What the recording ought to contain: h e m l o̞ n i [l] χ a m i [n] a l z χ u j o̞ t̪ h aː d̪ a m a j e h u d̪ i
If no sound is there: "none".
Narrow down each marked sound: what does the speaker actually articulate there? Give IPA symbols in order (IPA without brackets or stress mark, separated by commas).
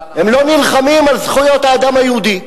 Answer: l, m